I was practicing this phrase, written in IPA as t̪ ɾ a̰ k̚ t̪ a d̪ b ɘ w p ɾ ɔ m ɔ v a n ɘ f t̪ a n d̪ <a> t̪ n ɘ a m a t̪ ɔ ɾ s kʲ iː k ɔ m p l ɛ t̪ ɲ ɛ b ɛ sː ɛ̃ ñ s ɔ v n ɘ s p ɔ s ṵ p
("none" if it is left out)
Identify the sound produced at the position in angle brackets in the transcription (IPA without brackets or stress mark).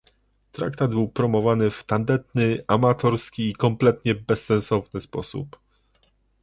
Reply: ɛ